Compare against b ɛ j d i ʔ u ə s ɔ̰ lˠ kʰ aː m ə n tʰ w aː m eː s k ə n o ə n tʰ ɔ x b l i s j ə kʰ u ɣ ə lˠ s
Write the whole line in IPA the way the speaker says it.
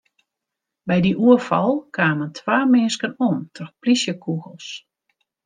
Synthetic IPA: b ɛ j d i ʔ u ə f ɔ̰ lˠ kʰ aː m ə n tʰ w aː m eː s k ə n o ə n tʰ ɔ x p l i s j ə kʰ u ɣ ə lˠ s